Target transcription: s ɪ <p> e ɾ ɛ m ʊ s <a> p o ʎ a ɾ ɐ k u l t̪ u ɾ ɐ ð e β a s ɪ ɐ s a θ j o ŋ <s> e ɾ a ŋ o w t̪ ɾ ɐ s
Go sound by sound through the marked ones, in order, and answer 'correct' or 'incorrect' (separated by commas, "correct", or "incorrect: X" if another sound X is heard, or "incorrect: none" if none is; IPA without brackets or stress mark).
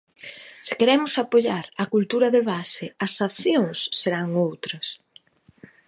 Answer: incorrect: k, correct, incorrect: sː